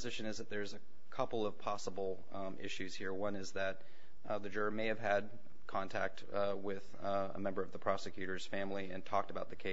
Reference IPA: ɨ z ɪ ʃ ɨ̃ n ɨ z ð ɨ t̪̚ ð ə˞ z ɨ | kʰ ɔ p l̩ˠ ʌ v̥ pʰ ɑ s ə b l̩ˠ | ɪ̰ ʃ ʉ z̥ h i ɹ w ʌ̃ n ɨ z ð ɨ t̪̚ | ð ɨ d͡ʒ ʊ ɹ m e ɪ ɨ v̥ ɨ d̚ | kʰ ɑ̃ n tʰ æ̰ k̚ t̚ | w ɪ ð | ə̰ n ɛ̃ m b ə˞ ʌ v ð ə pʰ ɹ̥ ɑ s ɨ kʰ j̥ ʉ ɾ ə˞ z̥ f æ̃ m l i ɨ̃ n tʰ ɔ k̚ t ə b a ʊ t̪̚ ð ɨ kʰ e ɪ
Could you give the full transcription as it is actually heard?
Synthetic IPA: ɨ z ɪ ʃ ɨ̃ n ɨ z ð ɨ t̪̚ ð ə˞ z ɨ | kʰ ʌ p l̩ˠ ʌ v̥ pʰ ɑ s ə b l̩ˠ | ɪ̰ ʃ ʉ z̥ h i ɹ w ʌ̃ n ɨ z ð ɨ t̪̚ | ð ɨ d͡ʒ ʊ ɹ m e ɪ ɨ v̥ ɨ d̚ | kʰ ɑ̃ n tʰ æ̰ k̚ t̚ | w ɪ ð | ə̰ m ɛ̃ m b ə˞ ʌ v ð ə pʰ ɹ̥ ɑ s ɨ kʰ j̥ ʉ ɾ ə˞ z̥ f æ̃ m l i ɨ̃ n tʰ ɔ k̚ t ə b a ʊ t̪̚ ð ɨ kʰ e ɪ

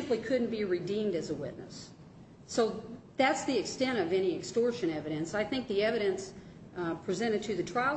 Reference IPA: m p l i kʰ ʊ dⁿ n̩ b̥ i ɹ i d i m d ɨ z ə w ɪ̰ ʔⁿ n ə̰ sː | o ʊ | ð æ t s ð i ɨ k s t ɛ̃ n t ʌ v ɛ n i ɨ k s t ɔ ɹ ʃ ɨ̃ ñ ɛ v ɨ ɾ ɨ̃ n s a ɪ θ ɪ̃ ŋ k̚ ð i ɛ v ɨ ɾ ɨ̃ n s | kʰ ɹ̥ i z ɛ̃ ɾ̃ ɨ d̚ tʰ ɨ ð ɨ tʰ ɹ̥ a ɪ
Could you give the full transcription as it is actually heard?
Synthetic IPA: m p l i kʰ ʊ dⁿ n̩ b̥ i ɹ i d ĩ m d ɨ z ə w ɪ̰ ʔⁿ n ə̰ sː | o ʊ | ð æ t s ð i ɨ k s t ɛ̃ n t ʌ v ɛ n i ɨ k s t ɔ ɹ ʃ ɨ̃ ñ ɛ v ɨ ɾ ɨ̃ n s a ɪ θ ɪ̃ ŋ k̚ ð i ɛ v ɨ ɾ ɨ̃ n s | pʰ ɹ̥ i z ɛ̃ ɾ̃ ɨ d̚ tʰ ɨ ð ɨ tʰ ɹ̥ a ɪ

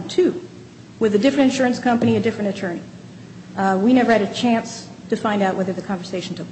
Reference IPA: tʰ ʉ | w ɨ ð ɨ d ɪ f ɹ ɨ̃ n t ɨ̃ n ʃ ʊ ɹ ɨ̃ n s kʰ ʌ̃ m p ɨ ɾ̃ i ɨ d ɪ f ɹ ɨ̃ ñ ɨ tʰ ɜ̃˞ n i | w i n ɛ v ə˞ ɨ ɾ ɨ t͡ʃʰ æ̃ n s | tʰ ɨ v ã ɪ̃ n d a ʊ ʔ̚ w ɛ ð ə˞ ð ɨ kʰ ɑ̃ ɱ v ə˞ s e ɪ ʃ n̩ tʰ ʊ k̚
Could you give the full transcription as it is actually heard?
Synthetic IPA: tʰ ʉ | w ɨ ð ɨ d ɪ f ɹ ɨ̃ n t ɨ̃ n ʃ ʊ ɹ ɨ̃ n s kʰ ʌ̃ m p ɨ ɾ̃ i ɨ d ɪ f ɹ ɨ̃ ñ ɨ tʰ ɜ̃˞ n i | w i n ɛ v ə˞ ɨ ɾ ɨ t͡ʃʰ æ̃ n s | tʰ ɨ f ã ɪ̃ n d a ʊ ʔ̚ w ɛ ð ə˞ ð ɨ kʰ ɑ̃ ɱ v ə˞ s e ɪ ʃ n̩ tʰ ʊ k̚

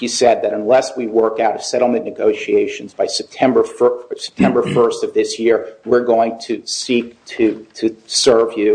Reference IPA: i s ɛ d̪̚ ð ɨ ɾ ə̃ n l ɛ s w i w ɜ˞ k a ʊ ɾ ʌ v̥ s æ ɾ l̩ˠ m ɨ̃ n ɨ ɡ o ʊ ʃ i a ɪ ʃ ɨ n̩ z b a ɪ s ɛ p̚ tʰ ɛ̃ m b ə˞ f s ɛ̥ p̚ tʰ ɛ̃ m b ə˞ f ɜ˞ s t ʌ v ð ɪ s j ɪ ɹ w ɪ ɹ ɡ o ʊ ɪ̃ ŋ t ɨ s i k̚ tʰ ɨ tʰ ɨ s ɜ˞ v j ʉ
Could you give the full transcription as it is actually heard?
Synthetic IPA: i s ɛ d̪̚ ð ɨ ɾ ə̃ n l ɛ s w i w ɜ˞ k a ʊ ɾ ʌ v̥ s ɛ ɾ l̩ˠ m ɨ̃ n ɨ ɡ o ʊ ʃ i e ɪ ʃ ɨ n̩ z b a ɪ s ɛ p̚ tʰ ɛ̃ m b ə˞ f s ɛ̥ p̚ tʰ ɛ̃ m b ə˞ f ɜ˞ s t ʌ v ð ɪ s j ɪ ɹ w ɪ ɹ ɡ o ʊ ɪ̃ ŋ tʰ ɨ s i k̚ tʰ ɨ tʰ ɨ s ɜ˞ v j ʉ

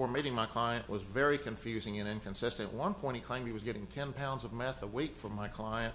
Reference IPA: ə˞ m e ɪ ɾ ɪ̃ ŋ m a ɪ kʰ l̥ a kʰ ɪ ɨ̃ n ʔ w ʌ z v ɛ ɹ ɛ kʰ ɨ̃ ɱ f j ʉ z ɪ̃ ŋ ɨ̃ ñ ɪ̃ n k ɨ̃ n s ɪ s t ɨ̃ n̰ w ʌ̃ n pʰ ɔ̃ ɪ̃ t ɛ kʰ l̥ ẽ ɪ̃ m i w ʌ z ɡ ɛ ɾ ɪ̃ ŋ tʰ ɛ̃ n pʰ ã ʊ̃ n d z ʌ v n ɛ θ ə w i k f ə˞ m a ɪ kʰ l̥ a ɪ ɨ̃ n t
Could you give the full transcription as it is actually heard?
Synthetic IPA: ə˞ m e ɪ ɾ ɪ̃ ŋ m a ɪ kʰ l̥ a ɪ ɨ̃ n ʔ w ʌ z v ɛ ɹ i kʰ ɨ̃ ɱ f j ʉ z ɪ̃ ŋ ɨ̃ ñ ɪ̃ n k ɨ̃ n s ɪ s t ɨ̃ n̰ w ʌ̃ n pʰ ɔ̃ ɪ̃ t i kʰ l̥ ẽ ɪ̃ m i w ʌ z ɡ ɛ ɾ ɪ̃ ŋ tʰ ɛ̃ n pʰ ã ʊ̃ n d z ʌ v m ɛ θ ə w i k f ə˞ m a ɪ kʰ l̥ a ɪ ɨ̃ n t

